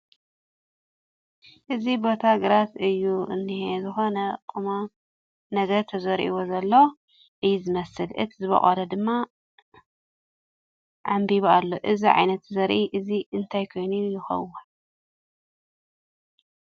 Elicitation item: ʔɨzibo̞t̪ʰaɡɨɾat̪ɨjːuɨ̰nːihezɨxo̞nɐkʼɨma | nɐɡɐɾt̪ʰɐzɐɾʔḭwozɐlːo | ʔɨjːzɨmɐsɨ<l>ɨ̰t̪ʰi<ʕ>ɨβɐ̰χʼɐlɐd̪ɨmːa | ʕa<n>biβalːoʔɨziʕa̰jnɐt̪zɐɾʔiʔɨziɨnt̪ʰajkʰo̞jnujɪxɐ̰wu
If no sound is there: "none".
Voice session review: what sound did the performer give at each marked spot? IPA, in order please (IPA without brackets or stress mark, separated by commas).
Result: l, z, m